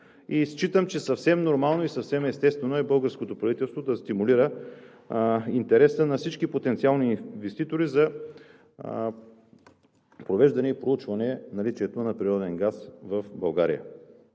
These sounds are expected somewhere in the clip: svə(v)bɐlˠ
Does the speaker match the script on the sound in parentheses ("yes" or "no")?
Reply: no